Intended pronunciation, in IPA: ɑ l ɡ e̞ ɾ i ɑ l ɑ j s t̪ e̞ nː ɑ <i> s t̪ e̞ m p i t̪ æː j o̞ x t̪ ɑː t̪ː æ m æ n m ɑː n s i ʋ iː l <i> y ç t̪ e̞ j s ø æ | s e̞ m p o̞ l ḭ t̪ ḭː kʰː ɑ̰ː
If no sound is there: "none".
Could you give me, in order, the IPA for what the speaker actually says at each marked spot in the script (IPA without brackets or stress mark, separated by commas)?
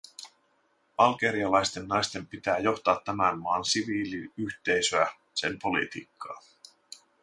j, i